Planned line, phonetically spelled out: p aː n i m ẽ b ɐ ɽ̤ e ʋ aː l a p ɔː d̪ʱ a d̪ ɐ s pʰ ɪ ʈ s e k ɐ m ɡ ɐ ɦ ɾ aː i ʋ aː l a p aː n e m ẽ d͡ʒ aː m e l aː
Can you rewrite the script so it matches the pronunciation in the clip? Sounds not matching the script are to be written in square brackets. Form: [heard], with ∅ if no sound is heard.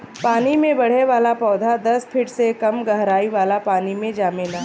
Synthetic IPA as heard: p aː n i m ẽ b ɐ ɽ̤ e ʋ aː l a p ɔː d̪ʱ a d̪ ɐ s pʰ ɪ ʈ s e k ɐ m ɡ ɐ ɦ ɾ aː i ʋ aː l a p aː n [i] m ẽ d͡ʒ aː m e l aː